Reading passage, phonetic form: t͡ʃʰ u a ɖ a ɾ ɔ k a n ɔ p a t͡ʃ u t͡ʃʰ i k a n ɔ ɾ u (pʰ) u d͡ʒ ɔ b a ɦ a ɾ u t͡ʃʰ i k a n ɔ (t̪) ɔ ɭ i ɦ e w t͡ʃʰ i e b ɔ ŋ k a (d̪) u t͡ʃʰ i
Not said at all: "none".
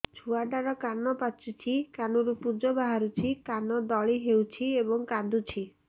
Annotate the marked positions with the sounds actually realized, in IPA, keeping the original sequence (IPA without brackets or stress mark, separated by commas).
p, d̪, d̪